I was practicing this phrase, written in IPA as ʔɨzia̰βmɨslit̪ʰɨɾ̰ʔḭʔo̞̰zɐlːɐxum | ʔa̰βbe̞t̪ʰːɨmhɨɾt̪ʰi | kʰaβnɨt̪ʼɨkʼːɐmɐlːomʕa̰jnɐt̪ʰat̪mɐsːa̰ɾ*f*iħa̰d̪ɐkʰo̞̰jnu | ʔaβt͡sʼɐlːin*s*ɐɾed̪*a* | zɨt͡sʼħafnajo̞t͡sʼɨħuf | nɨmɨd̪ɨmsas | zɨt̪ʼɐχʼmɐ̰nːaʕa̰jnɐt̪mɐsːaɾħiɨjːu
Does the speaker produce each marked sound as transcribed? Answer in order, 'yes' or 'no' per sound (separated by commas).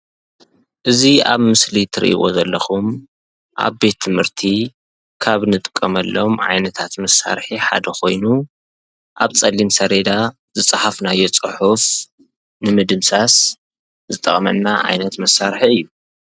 no, yes, yes